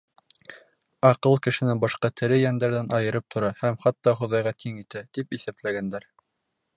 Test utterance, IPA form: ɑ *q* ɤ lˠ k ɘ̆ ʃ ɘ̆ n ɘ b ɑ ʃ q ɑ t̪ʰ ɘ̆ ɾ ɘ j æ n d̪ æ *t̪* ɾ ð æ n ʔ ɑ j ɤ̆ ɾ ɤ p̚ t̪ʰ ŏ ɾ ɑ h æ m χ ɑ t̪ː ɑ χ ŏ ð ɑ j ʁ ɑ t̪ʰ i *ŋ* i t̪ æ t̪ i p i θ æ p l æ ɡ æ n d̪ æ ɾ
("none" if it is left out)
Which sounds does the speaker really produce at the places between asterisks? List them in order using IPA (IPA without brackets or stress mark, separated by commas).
q, none, ŋ